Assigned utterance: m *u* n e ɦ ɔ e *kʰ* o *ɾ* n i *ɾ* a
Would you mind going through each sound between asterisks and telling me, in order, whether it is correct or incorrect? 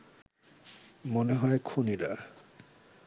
incorrect, correct, incorrect, correct

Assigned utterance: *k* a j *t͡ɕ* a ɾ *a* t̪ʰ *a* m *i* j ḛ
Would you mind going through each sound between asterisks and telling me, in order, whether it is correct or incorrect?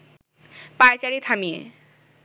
incorrect, correct, incorrect, correct, correct

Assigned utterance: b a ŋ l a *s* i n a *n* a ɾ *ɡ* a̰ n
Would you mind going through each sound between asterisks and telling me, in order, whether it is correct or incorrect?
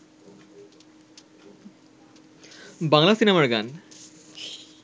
correct, incorrect, correct

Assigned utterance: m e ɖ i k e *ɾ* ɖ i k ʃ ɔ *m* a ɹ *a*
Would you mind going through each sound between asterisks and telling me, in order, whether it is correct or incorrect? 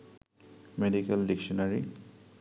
incorrect, incorrect, incorrect

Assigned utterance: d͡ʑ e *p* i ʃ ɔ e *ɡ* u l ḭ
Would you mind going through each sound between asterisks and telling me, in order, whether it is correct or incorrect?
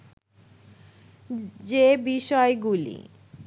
incorrect, correct

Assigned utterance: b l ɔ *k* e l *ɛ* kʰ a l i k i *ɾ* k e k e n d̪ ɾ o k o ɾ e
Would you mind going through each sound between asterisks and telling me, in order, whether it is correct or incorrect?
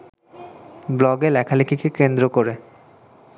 incorrect, correct, incorrect

